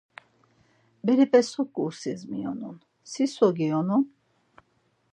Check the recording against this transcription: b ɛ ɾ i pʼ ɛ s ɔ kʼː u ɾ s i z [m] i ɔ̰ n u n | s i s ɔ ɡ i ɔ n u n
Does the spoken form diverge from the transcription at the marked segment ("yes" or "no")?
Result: no